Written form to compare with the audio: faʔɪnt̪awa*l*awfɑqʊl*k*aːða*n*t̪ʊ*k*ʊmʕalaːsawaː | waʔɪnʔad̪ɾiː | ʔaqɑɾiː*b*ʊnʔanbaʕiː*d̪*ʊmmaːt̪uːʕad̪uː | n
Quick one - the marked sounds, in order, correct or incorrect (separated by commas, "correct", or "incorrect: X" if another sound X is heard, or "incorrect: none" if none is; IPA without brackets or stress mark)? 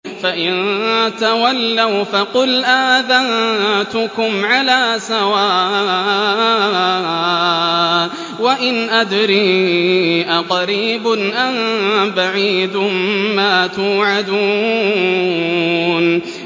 incorrect: lː, incorrect: ʔ, correct, correct, correct, correct